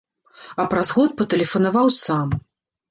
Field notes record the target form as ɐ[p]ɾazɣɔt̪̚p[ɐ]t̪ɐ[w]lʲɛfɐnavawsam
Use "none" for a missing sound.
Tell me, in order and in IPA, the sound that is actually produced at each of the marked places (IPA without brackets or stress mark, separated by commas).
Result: p, ɐ, none